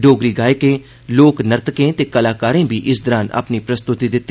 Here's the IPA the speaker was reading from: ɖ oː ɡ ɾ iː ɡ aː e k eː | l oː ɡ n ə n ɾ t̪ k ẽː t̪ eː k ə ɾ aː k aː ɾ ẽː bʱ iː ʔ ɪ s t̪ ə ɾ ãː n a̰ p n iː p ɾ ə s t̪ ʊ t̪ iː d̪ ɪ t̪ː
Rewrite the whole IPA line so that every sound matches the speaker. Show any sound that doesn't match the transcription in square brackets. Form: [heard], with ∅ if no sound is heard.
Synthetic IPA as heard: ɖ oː ɡ ɾ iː ɡ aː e k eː | l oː [k] n ə [∅] ɾ t̪ k ẽː t̪ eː k ə [l] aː k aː ɾ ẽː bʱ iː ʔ ɪ s [d̪] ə ɾ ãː n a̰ p n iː p ɾ ə s t̪ ʊ t̪ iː d̪ ɪ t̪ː